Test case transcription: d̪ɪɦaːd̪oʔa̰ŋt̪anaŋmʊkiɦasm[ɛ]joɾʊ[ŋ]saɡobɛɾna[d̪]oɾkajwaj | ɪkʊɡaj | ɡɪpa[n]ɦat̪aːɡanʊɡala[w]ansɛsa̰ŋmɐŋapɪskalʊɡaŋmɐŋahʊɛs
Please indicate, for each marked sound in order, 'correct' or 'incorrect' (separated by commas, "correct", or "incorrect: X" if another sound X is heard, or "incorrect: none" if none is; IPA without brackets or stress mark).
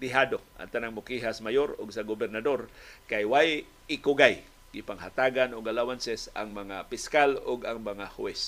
incorrect: a, incorrect: ɡ, correct, incorrect: ŋ, correct